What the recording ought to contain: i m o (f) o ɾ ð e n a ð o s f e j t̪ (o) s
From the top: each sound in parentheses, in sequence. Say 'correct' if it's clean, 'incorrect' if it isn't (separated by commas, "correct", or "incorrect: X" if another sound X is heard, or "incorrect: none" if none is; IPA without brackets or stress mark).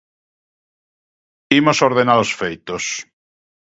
incorrect: s, correct